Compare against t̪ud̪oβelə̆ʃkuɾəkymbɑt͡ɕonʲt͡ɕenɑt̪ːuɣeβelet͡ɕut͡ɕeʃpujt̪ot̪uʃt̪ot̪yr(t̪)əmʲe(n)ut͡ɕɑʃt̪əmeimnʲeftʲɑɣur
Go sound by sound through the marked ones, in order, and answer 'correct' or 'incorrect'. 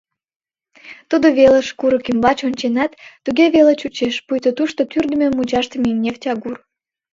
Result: incorrect: d̪, incorrect: m

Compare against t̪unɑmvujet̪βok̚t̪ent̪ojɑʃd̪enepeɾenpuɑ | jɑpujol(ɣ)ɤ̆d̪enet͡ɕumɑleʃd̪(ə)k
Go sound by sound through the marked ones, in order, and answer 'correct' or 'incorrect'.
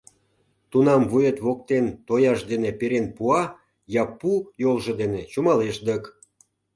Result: incorrect: ʒ, correct

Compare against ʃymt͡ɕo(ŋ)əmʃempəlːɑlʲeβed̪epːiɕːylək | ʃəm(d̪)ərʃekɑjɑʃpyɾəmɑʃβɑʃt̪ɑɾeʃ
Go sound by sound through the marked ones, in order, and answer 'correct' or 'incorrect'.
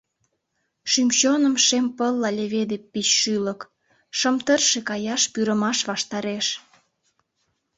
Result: incorrect: n, incorrect: t̪

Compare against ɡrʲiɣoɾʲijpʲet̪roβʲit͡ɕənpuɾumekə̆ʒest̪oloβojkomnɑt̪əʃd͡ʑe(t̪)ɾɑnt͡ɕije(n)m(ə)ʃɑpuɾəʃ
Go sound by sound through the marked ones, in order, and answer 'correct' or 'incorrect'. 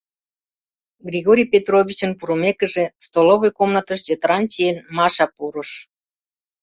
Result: correct, correct, incorrect: ɑ

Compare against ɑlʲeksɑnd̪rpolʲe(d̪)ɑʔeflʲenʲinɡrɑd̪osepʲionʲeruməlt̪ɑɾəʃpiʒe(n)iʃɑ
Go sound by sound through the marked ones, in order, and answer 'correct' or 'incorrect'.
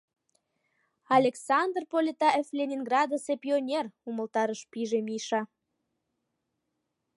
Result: incorrect: t̪, incorrect: m

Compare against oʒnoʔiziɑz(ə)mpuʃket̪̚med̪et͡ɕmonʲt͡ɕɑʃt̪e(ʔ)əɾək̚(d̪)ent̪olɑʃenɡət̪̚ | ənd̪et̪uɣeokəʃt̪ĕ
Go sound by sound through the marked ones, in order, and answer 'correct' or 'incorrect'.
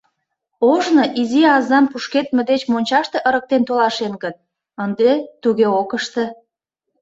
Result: incorrect: ɑ, correct, incorrect: t̪

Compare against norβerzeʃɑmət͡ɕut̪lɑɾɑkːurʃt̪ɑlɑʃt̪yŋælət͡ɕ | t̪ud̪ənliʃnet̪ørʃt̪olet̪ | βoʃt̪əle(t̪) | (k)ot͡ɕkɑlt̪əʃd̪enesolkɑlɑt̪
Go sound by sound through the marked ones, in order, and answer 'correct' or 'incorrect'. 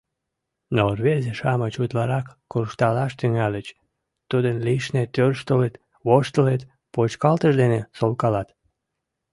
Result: correct, incorrect: p

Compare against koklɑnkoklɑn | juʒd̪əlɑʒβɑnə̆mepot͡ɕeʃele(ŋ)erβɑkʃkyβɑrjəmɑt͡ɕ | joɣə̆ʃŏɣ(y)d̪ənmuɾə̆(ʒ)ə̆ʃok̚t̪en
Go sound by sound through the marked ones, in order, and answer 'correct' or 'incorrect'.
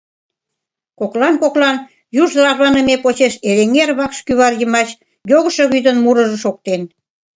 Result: correct, correct, correct

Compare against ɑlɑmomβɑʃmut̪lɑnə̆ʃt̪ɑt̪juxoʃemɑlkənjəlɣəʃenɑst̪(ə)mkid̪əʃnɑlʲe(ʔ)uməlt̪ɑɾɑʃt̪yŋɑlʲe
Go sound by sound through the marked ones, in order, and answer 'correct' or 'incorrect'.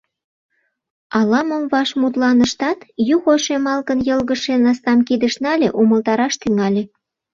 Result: incorrect: ɑ, correct

